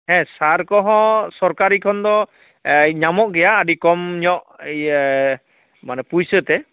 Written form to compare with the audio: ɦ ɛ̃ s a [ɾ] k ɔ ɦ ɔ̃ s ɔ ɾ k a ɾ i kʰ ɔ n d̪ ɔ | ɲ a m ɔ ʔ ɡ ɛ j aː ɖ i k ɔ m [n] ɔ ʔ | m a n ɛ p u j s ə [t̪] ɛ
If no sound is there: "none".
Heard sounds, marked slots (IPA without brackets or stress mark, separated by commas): ɾ, ɲ, t̪